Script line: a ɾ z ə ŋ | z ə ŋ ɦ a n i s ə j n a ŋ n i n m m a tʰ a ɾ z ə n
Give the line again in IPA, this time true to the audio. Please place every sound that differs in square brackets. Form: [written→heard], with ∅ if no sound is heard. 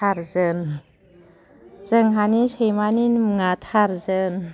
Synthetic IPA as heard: a ɾ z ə [ŋ→n] | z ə ŋ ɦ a n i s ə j [n→m] a [ŋ→∅] n i n m [m→ŋ] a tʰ a ɾ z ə n